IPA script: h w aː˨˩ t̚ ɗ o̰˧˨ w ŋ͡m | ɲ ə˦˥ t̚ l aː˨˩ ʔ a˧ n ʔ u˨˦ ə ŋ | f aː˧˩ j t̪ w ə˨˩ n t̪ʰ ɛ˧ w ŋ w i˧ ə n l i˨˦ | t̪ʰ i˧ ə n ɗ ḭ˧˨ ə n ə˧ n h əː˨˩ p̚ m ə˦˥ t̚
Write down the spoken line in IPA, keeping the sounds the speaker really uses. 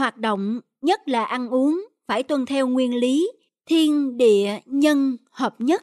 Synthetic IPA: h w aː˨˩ t̚ ɗ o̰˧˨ w ŋ͡m | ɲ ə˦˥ t̚ l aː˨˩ ʔ a˧ n ʔ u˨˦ ə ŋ | f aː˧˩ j t̪ w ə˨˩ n t̪ʰ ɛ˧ w ŋ w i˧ ə n l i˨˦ | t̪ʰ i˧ ə n ɗ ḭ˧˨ ə ɲ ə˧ n h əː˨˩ p̚ ɲ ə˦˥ t̚